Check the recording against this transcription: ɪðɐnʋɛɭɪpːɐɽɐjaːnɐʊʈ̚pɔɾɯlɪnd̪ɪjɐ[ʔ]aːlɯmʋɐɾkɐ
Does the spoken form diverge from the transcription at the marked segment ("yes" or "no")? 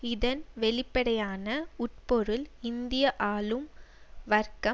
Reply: no